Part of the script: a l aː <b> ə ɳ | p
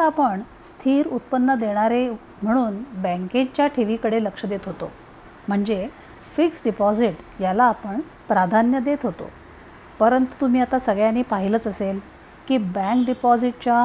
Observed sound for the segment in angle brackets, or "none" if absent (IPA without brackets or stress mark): p